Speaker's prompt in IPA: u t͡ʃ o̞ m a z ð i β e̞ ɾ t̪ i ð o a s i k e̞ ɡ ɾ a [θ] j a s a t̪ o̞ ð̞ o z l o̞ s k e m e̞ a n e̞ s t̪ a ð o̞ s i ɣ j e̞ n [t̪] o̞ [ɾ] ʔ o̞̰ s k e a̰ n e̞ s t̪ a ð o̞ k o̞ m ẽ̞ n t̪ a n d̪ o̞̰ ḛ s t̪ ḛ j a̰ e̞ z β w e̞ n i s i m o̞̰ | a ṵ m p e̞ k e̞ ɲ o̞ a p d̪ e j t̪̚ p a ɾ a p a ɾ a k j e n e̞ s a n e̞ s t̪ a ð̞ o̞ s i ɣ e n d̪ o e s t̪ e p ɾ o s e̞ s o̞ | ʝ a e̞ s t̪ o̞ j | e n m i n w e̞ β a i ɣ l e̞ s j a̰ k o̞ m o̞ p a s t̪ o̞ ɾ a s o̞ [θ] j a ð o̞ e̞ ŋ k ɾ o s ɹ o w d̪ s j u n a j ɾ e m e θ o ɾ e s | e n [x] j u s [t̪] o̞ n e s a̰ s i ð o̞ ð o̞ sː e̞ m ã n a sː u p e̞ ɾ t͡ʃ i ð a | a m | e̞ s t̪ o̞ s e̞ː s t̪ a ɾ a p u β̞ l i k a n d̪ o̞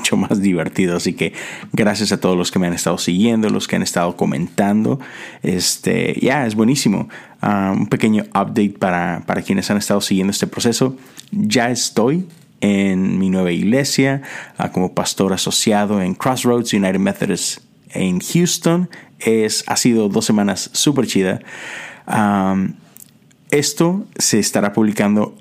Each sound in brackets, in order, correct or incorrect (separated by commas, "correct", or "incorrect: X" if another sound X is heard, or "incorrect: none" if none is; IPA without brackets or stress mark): incorrect: s, incorrect: d̪, incorrect: l, incorrect: s, correct, correct